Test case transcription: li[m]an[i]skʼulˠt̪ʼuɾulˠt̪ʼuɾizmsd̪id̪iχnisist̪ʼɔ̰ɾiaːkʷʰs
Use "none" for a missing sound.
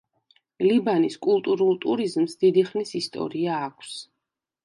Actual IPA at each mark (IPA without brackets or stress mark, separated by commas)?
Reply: b, i